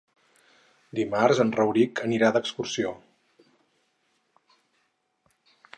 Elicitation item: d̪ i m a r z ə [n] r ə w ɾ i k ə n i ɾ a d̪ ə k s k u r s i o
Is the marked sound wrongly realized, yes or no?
no